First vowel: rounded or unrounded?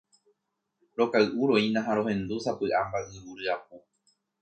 rounded